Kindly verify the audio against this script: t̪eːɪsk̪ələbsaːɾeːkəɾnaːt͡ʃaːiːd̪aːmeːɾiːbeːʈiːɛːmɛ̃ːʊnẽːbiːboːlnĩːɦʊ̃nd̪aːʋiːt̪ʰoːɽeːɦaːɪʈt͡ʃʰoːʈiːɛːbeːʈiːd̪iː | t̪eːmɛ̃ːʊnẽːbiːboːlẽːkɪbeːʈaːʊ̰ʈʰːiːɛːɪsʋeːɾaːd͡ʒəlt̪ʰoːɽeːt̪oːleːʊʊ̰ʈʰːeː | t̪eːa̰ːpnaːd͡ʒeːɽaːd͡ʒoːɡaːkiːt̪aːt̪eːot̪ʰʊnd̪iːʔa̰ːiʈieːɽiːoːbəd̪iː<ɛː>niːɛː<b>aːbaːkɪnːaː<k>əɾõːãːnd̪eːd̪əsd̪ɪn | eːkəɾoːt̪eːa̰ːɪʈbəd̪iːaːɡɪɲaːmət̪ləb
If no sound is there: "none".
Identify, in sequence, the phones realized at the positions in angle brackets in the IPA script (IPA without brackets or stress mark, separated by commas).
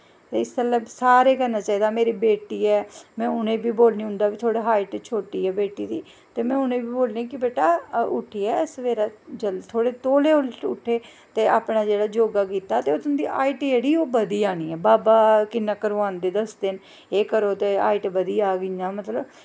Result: aː, b, k